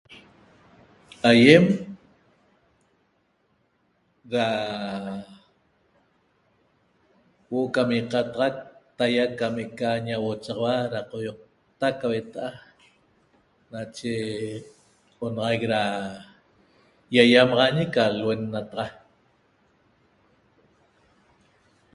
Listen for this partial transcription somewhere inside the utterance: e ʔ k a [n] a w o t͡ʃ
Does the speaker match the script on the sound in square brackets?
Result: no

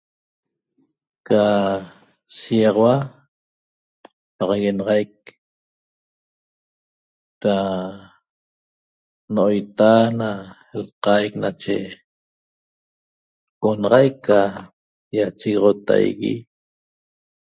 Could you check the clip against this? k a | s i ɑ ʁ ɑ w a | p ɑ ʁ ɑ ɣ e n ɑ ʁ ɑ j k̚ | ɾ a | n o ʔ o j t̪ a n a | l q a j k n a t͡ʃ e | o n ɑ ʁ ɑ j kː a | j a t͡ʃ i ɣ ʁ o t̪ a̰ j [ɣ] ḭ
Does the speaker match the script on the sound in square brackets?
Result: yes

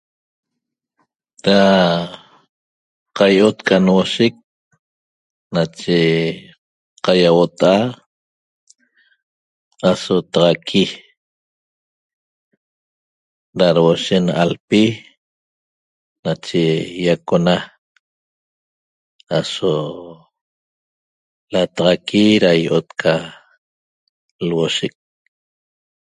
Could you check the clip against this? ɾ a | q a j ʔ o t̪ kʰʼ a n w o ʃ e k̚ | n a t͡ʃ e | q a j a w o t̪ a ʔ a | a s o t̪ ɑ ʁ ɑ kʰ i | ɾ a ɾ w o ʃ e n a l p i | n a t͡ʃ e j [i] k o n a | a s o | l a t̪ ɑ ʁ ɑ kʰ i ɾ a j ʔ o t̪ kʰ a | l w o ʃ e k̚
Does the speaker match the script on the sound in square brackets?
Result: no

